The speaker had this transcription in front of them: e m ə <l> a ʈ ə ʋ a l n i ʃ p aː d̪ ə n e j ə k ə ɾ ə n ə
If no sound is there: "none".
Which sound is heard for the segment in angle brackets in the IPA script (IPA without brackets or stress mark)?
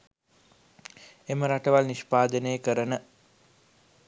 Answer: ɾ